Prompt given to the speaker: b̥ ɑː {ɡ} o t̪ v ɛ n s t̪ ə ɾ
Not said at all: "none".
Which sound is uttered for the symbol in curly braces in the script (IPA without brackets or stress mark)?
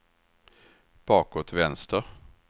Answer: k